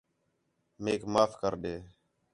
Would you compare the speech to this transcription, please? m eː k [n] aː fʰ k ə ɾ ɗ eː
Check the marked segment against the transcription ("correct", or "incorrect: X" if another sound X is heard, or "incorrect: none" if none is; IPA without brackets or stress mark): incorrect: m